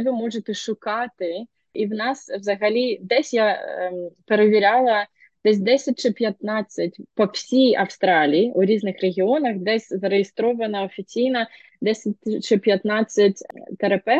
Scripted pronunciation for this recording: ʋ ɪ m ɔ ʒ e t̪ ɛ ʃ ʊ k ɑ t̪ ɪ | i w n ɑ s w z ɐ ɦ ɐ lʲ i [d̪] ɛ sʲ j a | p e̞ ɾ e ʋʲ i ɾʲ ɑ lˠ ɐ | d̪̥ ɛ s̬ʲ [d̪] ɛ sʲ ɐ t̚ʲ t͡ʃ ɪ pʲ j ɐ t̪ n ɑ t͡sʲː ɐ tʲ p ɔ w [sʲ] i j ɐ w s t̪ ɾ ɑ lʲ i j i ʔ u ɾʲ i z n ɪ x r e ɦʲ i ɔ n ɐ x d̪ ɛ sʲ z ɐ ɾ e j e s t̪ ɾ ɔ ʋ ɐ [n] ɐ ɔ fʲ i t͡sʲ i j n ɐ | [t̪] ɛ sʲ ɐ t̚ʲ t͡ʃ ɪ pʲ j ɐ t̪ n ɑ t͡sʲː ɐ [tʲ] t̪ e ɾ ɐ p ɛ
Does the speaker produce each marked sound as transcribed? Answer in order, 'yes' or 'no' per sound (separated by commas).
yes, yes, yes, yes, no, yes